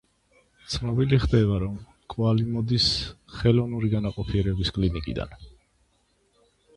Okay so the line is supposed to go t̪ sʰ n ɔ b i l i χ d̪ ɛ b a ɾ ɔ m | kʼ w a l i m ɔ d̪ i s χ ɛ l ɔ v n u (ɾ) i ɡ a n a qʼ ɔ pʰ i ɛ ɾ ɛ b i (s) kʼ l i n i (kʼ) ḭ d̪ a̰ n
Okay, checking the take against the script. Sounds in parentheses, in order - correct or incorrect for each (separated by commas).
correct, correct, correct